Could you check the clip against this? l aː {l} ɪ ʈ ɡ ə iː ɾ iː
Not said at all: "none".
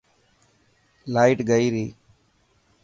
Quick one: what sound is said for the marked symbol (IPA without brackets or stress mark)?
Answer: none